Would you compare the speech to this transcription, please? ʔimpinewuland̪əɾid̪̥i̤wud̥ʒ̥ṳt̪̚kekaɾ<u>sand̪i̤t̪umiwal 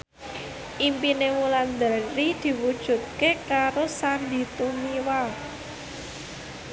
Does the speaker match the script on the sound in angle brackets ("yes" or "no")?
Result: no